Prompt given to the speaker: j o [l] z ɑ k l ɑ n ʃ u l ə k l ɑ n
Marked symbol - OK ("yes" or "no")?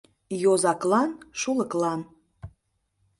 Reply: no